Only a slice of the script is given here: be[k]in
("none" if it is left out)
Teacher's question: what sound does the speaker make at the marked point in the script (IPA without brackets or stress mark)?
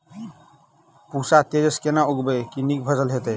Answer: k